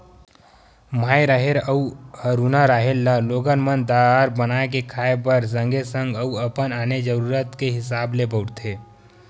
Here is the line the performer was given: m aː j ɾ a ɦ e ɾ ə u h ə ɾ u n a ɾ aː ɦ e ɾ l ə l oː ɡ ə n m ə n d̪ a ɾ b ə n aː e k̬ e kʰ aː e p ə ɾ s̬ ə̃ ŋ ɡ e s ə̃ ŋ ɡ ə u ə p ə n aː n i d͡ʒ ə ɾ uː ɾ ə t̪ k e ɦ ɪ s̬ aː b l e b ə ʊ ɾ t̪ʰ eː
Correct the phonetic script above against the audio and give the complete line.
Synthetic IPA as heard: m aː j ɾ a ɦ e ɾ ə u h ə ɾ u n a ɾ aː ɦ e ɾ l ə l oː ɡ ə n m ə n d̪ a ɾ b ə n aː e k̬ e kʰ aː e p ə ɾ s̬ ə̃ ŋ ɡ e s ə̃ ŋ ɡ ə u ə p ə n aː n e d͡ʒ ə ɾ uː ɾ ə t̪ k e ɦ ɪ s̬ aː b l e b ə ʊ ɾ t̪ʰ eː